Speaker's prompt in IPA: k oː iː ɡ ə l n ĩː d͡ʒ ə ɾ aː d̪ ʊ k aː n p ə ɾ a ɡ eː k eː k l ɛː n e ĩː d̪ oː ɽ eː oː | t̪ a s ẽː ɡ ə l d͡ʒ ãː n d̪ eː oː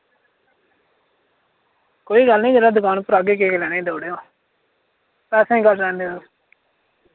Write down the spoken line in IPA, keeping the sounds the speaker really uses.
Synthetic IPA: k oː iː ɡ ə l n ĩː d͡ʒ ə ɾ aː d̪ ʊ k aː n p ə ɾ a ɡ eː k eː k l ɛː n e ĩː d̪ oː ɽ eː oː | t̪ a s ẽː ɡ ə l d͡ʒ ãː n d̪ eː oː